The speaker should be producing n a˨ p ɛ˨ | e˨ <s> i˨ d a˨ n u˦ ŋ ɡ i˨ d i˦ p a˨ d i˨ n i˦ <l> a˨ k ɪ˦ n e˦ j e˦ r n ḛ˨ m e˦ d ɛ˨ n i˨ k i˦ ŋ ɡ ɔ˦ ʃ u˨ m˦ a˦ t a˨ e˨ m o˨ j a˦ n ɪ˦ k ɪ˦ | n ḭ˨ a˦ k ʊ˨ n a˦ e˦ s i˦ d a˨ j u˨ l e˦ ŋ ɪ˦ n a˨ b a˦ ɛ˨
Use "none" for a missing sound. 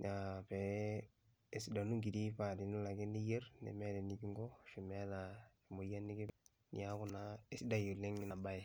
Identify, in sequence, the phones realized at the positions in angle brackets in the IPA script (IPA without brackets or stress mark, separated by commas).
s, l